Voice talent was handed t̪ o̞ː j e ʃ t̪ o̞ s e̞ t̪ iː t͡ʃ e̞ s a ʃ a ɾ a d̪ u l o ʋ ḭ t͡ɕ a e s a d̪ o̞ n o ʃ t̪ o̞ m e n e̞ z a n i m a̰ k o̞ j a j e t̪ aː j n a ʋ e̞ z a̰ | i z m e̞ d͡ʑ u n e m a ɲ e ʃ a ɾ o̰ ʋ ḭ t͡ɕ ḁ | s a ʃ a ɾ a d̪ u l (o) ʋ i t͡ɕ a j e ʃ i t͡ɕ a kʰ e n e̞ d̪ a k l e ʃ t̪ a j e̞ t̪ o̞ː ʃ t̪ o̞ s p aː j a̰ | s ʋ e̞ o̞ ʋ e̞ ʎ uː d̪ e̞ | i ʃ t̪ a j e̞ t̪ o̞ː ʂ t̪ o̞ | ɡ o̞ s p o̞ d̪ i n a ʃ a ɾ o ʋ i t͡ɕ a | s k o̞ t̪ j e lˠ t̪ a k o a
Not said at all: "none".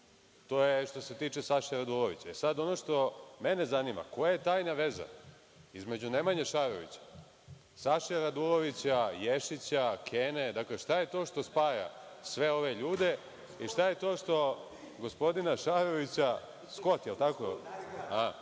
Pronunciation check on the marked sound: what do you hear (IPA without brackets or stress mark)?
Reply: o